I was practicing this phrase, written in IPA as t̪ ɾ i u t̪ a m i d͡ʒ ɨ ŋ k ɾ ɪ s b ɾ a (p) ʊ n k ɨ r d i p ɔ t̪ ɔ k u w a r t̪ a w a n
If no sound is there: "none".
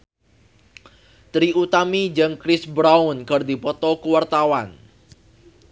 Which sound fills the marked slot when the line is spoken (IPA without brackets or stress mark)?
none